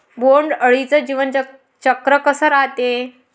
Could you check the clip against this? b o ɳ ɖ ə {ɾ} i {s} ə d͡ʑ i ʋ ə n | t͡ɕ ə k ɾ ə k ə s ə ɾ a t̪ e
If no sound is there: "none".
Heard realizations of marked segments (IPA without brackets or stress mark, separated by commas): ɭ, t͡s